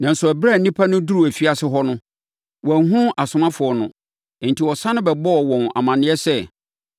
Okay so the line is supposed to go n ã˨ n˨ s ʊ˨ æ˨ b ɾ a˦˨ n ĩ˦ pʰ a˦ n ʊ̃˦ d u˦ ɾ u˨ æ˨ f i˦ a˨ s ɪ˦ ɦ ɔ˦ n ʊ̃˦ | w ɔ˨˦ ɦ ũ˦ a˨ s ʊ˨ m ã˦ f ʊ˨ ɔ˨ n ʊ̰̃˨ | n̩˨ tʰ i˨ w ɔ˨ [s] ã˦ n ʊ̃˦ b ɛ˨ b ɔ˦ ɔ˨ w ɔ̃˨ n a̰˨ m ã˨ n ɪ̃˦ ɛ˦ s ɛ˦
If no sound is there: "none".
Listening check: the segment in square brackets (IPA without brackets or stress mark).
s